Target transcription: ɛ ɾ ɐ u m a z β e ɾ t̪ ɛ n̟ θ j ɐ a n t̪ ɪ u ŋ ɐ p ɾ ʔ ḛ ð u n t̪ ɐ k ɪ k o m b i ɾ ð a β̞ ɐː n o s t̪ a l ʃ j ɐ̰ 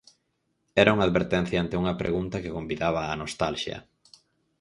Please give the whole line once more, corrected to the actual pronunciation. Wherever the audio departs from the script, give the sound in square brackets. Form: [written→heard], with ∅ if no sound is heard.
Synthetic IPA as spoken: ɛ ɾ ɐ u [m→ŋ] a [z→ð] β e ɾ t̪ ɛ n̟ θ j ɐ a n t̪ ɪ u ŋ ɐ p ɾ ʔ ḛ [ð→ɣ] u n t̪ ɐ k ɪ k o m b i [ɾ→∅] ð a β̞ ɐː n o s t̪ a l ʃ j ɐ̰